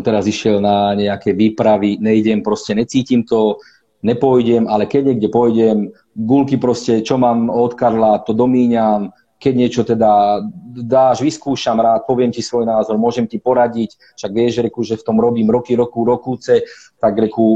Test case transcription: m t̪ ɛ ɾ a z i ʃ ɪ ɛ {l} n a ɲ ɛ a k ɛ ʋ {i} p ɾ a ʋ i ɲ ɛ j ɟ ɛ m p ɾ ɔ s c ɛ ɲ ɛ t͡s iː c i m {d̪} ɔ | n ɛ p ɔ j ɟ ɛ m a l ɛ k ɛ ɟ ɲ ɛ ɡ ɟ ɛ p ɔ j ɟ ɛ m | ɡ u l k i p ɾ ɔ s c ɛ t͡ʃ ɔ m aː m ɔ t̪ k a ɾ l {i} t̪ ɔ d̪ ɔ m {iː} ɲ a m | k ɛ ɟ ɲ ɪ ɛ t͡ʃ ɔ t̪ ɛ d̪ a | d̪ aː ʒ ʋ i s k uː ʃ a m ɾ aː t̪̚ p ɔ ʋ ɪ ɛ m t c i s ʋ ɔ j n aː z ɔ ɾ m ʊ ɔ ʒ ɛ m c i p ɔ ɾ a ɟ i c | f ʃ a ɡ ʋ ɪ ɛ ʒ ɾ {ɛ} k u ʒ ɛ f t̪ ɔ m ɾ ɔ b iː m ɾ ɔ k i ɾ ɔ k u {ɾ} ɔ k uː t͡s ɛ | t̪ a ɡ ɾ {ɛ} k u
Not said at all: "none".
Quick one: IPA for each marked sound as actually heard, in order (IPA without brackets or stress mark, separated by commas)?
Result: l, iː, t̪, a, iː, ɛ, ɾ, ɛ